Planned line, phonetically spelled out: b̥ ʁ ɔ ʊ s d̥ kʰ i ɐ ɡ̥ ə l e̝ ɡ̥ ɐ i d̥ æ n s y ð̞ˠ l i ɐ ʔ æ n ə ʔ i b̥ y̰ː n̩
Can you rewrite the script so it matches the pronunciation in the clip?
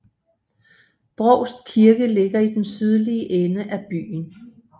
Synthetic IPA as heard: b̥ ʁ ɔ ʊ s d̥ kʰ i ɐ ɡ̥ ə l e̝ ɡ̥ ɐ i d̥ e n s y ð̞ˠ l i ə ʔ e n ə ʔ æ b̥ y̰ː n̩